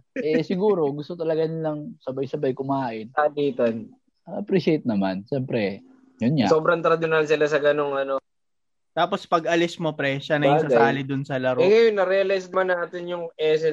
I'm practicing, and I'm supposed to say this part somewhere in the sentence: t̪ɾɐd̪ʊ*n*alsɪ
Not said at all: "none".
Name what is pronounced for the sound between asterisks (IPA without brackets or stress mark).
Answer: n